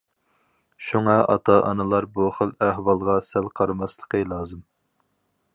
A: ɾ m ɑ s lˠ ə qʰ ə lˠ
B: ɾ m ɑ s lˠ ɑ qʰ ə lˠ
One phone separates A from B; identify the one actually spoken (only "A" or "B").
A